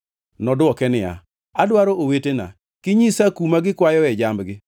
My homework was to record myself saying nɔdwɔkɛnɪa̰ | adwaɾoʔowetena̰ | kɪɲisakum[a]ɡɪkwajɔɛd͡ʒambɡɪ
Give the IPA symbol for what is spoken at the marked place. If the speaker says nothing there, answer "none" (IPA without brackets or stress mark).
a